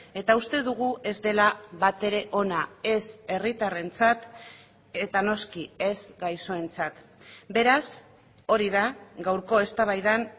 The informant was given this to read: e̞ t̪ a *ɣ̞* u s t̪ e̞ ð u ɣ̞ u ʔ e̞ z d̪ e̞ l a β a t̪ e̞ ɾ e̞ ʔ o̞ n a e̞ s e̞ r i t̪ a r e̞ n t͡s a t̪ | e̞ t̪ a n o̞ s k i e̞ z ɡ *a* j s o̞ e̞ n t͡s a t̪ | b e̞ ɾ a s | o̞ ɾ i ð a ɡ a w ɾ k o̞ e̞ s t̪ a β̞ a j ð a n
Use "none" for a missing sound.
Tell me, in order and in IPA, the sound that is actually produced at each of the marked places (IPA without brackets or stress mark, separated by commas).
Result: none, a